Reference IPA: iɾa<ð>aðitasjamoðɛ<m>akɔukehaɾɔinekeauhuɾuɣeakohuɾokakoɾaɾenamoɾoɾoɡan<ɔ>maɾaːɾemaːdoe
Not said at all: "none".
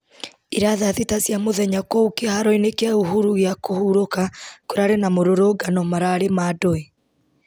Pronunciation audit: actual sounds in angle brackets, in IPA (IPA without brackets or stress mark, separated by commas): ð, ɲ, ɔ